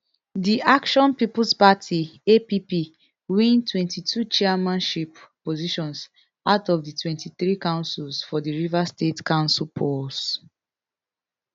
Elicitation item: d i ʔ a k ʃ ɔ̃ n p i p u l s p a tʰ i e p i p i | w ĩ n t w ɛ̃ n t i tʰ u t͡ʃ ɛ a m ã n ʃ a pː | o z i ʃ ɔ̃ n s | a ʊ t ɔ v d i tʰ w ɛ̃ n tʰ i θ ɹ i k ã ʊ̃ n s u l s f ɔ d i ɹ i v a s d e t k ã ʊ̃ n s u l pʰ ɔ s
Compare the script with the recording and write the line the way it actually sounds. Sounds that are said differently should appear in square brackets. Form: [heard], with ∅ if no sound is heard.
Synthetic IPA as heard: d i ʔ a k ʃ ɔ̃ n p i p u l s p a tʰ i e p i p i | w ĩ n t w ɛ̃ n t i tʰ u t͡ʃ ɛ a m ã n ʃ [i] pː | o z i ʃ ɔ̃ n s | a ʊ t ɔ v d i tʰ w ɛ̃ n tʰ i θ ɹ i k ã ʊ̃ n s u l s f ɔ d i ɹ i v a s [t] e t k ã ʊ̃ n s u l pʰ ɔ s